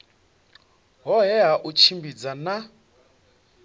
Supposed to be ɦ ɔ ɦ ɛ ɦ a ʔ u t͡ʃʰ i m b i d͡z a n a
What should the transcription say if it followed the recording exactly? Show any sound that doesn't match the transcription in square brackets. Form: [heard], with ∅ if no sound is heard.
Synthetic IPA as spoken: ɦ ɔ ɦ ɛ ɦ a ʔ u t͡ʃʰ i m b i d͡z a n a